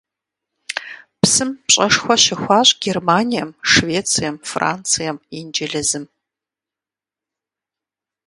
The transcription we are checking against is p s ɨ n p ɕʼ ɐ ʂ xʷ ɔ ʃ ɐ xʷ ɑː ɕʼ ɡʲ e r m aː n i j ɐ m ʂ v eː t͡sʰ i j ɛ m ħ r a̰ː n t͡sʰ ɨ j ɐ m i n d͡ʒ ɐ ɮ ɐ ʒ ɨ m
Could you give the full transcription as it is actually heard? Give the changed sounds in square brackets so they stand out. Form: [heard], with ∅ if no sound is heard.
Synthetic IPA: p s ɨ [m] p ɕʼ ɐ ʂ xʷ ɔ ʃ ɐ xʷ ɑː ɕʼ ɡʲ e r m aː n i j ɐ m ʂ v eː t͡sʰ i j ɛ m [f] r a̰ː n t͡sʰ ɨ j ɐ m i n d͡ʒ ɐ ɮ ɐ [z] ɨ m